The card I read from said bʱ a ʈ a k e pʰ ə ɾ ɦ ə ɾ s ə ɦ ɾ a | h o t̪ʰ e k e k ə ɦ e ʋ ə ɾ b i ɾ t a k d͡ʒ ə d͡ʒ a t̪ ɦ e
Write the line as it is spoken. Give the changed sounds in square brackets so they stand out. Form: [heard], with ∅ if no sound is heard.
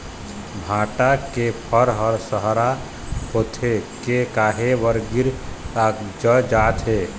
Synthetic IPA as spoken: bʱ a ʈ a k e pʰ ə ɾ ɦ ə ɾ s ə ɦ ɾ a | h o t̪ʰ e k e k [a] ɦ e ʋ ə ɾ [ɡ] i ɾ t a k d͡ʒ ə d͡ʒ a t̪ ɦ e